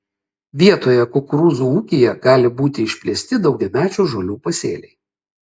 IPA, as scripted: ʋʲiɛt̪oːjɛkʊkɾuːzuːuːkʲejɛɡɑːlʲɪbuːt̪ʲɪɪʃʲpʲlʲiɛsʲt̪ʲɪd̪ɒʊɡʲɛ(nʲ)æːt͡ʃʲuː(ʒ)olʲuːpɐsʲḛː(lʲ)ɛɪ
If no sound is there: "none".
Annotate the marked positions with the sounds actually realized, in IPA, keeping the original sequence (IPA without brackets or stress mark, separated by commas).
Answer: mʲ, ʒ, lʲ